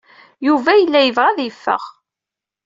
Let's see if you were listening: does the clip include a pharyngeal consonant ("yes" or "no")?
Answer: no